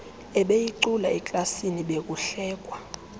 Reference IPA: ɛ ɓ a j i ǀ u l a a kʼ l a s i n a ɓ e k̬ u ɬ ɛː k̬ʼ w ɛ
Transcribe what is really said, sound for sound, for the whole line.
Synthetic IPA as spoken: ɛ ɓ e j i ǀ u l a ɛ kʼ l a s i n i ɓ e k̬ u ɬ ɛː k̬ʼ w a